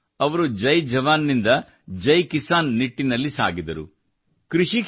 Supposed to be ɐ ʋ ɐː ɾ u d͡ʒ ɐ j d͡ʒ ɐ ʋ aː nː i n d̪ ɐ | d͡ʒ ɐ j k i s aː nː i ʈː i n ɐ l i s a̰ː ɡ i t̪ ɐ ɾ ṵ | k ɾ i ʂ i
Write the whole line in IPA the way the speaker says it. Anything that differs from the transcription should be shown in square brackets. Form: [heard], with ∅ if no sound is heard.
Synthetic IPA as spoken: ɐ ʋ [ɐ] ɾ u d͡ʒ ɐ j d͡ʒ ɐ ʋ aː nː i n d̪ ɐ | d͡ʒ ɐ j k i s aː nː i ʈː i n ɐ [lː] i s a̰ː ɡ i [d̪] ɐ ɾ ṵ | k ɾ i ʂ i